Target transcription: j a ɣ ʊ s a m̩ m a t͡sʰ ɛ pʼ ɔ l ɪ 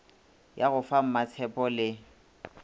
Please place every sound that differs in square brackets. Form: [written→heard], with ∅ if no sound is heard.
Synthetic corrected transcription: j a ɣ ʊ [s→f] a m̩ m a t͡sʰ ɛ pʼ ɔ l ɪ

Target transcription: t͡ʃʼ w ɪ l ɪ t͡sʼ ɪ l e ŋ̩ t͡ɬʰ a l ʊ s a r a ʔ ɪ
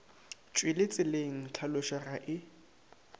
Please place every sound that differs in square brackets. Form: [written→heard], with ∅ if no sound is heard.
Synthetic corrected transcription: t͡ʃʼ w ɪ l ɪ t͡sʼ ɪ l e ŋ̩ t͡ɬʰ a l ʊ [s→ʃ] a r a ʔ ɪ

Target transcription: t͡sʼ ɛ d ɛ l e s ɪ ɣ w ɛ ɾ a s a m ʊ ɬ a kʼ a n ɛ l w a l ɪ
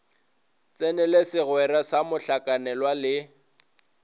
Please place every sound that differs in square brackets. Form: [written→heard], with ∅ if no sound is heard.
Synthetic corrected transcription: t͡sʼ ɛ [d→n] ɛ l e s ɪ ɣ w ɛ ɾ a s a m ʊ ɬ a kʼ a n ɛ l w a l ɪ

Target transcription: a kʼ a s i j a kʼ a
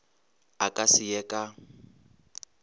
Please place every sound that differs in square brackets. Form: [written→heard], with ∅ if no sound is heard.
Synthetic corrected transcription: a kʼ a s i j [a→ɛ] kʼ a

